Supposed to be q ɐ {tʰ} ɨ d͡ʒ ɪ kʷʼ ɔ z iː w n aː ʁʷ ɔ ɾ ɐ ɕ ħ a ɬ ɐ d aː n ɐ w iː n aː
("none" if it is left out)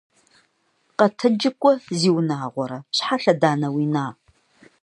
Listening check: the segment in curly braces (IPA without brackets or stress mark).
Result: tʰ